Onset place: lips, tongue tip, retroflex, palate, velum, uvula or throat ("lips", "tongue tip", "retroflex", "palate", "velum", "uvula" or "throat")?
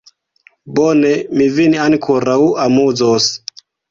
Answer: lips